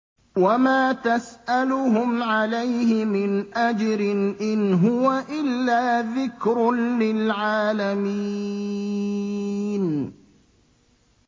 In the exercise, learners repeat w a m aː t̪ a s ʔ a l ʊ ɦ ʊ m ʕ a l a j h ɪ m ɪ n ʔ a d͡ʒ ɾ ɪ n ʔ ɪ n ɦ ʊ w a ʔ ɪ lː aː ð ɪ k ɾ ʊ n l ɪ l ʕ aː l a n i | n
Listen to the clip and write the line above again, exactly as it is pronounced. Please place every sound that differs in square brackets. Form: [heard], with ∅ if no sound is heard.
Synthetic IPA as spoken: w a m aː t̪ a s ʔ a l ʊ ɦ ʊ m ʕ a l a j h ɪ m ɪ n ʔ a d͡ʒ ɾ ɪ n ʔ ɪ n ɦ ʊ w a ʔ ɪ lː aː ð ɪ k ɾ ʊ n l ɪ l ʕ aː l a [m] i | n

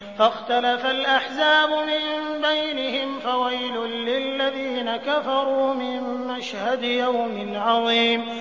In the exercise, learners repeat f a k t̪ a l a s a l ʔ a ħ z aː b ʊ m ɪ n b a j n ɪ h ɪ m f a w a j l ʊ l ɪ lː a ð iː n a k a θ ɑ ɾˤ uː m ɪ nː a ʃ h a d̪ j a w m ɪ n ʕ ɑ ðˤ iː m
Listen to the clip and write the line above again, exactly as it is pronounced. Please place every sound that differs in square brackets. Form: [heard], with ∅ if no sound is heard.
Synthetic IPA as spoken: f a [x] t̪ a l a [f] a l ʔ a ħ z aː b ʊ m ɪ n b a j n ɪ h ɪ m f a w a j l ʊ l ɪ lː a ð iː n a k a [f] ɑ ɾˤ uː m ɪ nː a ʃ h a d̪ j a w m ɪ n ʕ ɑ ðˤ iː m

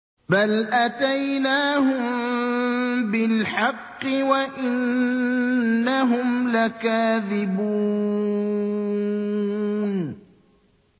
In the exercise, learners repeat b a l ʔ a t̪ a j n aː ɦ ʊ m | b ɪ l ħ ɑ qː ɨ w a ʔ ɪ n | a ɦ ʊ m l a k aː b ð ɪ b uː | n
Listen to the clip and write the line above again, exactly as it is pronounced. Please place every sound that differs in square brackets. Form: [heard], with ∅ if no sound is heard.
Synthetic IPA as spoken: b a l ʔ a t̪ a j n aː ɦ ʊ m | b ɪ l ħ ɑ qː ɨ w a ʔ ɪ n | a ɦ ʊ m l a k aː [∅] ð ɪ b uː | n

